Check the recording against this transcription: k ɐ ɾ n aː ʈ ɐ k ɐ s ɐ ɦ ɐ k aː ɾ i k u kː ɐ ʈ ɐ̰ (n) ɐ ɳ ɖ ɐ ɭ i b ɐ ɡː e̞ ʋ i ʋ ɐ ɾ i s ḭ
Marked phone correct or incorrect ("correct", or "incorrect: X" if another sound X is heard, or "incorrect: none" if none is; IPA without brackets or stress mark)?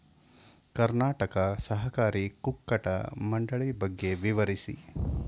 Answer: incorrect: m